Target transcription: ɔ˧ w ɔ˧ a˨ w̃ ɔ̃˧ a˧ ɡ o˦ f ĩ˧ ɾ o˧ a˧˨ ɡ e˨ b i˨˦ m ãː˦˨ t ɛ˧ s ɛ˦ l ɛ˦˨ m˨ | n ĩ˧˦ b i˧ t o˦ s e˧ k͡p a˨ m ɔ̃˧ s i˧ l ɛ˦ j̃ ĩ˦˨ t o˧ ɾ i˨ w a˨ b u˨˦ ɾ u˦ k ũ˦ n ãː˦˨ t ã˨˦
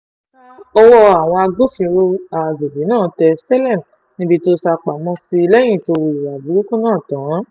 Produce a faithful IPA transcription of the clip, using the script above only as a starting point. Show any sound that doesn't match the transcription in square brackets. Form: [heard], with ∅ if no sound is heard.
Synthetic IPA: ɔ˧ w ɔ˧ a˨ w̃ ɔ̃˧ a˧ ɡ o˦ f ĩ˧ ɾ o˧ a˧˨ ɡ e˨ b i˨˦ [n] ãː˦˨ t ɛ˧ s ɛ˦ l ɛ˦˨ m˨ | n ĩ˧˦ b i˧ t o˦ s [a˧] k͡p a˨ m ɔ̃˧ s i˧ l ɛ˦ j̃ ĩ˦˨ t o˧ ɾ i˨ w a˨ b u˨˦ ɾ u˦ k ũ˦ n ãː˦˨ t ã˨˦